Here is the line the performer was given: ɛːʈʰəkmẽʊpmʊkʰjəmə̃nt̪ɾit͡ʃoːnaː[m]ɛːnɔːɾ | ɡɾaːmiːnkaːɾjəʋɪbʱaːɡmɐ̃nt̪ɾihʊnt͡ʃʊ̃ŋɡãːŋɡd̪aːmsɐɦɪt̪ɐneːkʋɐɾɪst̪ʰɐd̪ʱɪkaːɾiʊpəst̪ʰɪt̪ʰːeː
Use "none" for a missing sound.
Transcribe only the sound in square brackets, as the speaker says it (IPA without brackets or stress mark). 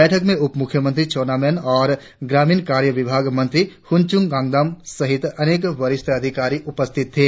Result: m